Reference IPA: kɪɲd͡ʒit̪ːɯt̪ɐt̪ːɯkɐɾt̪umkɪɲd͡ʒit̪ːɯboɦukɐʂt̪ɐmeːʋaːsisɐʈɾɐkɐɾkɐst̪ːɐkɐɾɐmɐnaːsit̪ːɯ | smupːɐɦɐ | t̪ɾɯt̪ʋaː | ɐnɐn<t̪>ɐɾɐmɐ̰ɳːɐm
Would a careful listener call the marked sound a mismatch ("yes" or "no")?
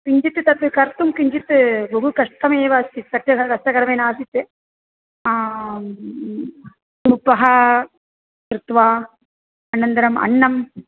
yes